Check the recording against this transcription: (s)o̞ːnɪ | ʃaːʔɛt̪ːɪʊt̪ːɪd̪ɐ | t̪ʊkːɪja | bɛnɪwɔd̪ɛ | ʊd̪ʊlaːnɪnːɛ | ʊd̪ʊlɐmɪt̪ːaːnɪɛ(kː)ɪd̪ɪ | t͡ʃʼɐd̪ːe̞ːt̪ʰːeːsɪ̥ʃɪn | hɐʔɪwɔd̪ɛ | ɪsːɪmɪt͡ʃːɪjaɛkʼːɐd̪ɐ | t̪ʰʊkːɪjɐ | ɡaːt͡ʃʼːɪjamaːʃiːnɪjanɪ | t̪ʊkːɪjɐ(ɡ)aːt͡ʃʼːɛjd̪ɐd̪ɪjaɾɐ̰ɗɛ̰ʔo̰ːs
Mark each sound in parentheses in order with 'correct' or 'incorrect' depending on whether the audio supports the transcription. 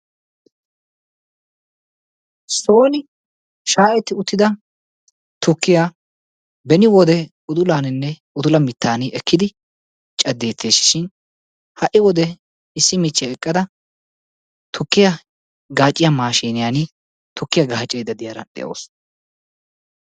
correct, correct, correct

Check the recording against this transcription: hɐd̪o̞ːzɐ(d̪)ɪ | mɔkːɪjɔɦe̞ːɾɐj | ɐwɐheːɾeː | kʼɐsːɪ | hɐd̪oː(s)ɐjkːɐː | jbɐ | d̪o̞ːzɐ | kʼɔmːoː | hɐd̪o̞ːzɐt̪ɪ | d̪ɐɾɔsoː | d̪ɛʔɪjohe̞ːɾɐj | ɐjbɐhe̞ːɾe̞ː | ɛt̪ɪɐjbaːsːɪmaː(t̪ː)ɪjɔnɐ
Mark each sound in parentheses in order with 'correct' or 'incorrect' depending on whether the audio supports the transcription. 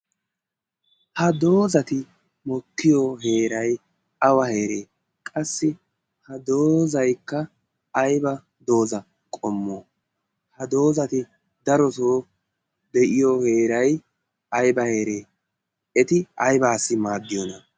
incorrect, incorrect, incorrect

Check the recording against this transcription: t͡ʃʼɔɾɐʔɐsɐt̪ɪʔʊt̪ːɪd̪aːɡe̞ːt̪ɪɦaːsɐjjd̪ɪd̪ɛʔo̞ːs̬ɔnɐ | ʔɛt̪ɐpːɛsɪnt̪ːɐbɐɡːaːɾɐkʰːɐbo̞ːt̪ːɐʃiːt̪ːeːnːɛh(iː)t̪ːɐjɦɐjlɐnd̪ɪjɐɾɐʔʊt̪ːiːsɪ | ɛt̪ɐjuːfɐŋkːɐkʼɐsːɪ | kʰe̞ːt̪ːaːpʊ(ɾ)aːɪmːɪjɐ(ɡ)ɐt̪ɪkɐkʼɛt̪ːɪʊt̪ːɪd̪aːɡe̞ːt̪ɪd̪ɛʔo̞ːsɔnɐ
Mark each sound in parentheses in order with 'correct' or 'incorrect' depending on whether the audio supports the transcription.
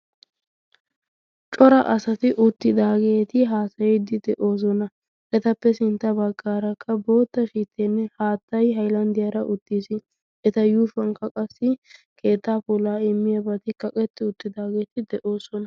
incorrect, incorrect, incorrect

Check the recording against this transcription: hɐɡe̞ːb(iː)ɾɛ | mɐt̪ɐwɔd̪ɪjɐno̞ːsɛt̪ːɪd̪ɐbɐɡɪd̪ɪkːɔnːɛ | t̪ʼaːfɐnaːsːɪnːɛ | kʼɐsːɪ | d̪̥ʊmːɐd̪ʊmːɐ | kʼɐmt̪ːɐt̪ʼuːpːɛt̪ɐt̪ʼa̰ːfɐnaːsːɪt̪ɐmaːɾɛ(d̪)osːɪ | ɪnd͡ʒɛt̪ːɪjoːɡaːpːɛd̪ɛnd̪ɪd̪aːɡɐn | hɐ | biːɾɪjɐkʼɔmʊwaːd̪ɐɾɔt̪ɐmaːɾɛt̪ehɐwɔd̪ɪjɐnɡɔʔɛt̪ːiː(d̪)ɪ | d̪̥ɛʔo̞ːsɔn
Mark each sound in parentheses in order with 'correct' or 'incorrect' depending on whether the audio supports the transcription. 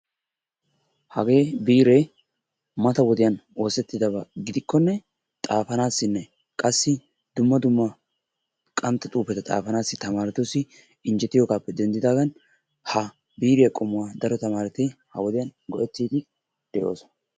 correct, incorrect, correct

